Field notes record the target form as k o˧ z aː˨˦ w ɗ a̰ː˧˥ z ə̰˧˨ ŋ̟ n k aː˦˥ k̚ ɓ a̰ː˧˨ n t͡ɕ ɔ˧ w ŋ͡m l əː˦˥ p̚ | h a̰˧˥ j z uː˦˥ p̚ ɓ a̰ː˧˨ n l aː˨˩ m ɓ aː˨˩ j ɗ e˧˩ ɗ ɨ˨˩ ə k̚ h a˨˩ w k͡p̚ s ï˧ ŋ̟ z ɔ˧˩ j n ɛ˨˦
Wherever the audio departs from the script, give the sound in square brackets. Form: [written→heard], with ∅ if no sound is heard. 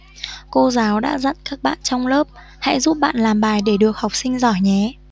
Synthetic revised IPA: k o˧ z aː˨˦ w ɗ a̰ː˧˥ z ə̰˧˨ [ŋ̟→∅] n k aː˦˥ k̚ ɓ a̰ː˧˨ n t͡ɕ ɔ˧ w ŋ͡m l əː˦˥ p̚ | h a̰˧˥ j z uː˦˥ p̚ ɓ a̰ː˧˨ n l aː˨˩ m ɓ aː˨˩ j ɗ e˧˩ ɗ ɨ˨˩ ə k̚ h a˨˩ w k͡p̚ s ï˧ ŋ̟ z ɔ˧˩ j [n→ɲ] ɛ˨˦